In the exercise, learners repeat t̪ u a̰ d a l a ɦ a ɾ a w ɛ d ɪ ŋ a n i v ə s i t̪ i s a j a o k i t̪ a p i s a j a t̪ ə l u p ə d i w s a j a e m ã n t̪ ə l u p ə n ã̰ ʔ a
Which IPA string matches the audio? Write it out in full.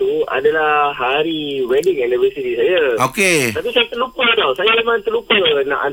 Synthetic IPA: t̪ u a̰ d a l a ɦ a ɾ i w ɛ d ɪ ŋ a n i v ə s i t̪ i s a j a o k e t̪ a p i s a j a t̪ ə l u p ə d a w s a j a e m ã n t̪ ə l u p ə n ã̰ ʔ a